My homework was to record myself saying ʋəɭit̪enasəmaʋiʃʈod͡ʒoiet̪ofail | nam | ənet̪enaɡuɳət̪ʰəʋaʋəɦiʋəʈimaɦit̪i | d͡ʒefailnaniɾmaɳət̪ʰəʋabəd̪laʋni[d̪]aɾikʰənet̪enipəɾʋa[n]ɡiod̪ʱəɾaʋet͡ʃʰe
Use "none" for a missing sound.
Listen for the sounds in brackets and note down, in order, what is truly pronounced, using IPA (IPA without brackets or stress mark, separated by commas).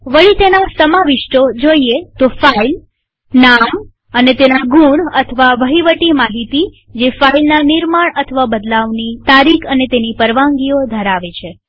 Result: t̪, ŋ